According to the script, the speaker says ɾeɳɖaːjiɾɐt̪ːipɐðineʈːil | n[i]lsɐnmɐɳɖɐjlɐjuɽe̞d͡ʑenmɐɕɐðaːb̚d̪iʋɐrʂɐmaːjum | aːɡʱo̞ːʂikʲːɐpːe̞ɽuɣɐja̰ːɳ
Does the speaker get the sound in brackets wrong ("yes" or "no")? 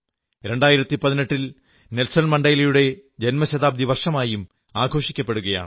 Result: yes